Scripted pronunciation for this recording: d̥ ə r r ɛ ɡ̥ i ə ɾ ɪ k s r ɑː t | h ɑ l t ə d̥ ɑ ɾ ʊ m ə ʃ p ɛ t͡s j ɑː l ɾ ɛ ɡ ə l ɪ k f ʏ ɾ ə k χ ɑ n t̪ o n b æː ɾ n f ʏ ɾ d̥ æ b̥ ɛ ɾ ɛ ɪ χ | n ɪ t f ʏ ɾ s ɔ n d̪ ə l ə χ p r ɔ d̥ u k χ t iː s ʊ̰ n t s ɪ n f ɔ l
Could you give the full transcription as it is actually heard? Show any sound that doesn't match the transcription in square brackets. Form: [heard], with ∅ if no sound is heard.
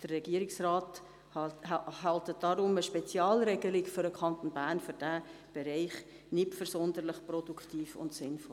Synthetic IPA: d̥ ə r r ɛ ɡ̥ i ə ɾ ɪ k s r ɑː t | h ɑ l t ə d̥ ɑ ɾ ʊ m ə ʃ p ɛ t͡s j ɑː l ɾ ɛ ɡ ə l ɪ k f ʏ ɾ ə k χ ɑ n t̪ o n b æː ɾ n f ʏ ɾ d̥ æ b̥ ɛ ɾ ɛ ɪ χ | n ɪ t f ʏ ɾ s ɔ n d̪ ə l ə χ p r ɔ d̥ u k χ t iː [f] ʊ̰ n t s ɪ n f ɔ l